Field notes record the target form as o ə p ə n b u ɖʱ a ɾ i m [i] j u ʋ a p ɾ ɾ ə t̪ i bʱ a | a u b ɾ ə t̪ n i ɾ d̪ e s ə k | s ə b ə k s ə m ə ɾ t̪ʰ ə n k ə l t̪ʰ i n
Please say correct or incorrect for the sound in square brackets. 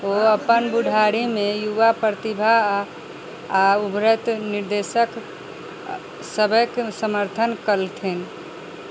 incorrect